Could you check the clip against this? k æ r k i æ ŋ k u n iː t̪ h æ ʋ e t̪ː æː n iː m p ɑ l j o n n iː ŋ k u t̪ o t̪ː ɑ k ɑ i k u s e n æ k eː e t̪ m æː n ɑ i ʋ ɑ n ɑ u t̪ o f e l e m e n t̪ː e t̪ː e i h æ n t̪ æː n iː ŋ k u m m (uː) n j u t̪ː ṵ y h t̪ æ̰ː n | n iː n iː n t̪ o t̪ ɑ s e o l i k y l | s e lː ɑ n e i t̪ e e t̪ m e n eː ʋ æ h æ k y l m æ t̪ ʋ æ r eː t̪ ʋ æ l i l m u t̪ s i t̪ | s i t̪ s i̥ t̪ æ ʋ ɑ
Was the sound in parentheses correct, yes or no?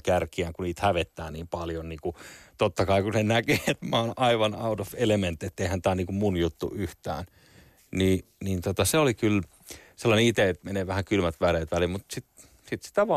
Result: no